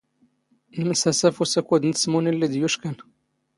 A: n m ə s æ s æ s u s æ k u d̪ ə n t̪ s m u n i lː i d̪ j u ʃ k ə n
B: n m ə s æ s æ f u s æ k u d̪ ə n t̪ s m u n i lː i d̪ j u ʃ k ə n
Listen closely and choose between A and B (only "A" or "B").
B